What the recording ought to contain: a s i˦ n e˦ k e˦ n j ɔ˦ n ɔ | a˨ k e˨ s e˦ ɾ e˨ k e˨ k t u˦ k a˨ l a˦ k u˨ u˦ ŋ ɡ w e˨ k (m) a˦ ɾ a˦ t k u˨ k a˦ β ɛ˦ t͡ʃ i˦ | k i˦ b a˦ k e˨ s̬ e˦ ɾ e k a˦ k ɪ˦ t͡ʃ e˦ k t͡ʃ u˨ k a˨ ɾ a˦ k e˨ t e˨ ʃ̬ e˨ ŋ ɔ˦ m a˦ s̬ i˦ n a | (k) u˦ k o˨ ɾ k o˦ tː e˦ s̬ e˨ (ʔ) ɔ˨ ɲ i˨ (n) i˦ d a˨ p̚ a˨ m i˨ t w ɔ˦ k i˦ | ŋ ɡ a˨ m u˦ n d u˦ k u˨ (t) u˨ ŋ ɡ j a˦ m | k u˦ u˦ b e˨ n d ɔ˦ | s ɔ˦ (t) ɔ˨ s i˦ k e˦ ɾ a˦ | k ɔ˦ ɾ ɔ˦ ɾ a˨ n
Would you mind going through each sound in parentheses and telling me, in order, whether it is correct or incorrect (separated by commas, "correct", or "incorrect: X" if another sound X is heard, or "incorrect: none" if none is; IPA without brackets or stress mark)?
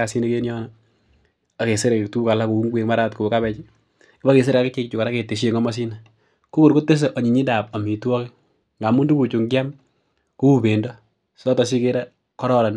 correct, correct, correct, incorrect: ɲ, incorrect: t͡ʃ, correct